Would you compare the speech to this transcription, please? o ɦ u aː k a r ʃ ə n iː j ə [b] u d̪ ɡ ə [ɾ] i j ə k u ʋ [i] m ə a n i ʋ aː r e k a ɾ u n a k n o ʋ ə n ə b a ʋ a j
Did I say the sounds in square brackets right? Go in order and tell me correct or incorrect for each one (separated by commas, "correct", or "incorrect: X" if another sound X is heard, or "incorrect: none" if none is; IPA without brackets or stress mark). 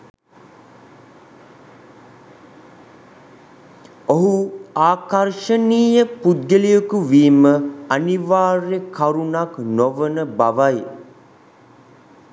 incorrect: p, incorrect: l, incorrect: iː